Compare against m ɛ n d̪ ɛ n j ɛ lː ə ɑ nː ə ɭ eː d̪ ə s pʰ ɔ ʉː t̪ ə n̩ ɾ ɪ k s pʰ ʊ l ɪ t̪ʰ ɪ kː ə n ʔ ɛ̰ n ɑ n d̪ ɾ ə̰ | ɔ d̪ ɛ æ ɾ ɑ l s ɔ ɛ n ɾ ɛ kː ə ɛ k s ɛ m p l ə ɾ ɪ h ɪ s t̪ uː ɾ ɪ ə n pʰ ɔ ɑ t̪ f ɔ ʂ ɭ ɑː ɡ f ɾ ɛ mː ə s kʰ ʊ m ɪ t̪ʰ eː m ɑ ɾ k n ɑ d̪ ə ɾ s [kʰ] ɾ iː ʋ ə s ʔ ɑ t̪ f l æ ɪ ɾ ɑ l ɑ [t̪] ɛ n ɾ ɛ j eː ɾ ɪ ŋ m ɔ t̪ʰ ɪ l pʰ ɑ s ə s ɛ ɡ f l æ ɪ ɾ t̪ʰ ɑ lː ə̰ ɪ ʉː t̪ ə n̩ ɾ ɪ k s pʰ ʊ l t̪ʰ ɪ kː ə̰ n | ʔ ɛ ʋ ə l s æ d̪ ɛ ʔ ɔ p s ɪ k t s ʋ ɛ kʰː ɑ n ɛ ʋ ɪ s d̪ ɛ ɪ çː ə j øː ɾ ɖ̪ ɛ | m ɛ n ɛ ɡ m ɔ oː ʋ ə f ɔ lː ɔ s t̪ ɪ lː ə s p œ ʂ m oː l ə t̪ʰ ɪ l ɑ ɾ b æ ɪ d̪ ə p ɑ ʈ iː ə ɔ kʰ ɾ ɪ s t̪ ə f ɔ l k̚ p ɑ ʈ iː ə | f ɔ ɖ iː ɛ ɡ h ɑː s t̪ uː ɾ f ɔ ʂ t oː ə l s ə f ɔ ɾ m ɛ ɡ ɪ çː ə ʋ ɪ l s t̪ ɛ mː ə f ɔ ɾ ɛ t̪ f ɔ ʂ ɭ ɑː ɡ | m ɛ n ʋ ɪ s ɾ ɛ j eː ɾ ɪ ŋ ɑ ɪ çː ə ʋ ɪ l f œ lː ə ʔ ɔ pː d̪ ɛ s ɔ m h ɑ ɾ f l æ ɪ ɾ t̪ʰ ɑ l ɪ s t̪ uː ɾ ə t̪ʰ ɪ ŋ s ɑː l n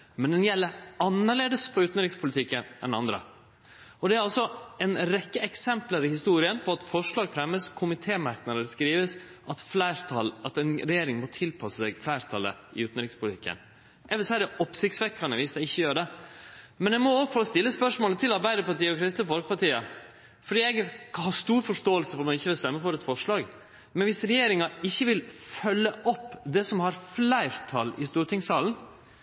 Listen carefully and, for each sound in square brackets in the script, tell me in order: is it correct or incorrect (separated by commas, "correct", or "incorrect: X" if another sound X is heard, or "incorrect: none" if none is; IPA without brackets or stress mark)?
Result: incorrect: k, correct